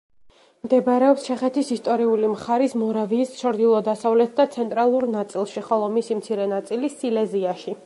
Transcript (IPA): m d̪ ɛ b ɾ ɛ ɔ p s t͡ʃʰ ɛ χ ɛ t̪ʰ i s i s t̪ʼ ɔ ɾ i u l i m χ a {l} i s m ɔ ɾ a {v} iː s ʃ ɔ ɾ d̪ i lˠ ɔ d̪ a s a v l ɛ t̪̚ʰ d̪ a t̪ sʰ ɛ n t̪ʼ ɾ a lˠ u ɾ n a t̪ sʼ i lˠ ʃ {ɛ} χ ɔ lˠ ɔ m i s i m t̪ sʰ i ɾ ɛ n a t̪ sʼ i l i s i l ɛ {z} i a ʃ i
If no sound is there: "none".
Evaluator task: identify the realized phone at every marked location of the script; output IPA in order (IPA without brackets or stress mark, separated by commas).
ɾ, v, i, z